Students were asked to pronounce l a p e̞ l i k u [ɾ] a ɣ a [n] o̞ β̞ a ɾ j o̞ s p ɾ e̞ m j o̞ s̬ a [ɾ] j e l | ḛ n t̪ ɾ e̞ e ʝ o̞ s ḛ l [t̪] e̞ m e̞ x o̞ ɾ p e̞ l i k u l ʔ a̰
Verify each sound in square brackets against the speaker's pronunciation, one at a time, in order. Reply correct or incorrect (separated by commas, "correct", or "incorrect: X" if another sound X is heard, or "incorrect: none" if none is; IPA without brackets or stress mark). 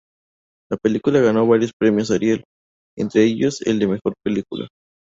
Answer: incorrect: l, correct, correct, incorrect: d̪